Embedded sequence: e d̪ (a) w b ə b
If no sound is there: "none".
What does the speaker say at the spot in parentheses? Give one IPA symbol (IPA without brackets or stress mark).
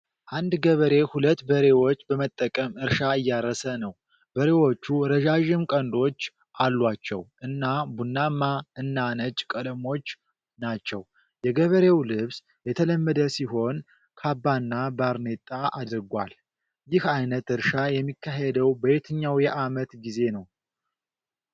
ə